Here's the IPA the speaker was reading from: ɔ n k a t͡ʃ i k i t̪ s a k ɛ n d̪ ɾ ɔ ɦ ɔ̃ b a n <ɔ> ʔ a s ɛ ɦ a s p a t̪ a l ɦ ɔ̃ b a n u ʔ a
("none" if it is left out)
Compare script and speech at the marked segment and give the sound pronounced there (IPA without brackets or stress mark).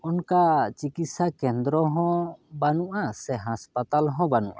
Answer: u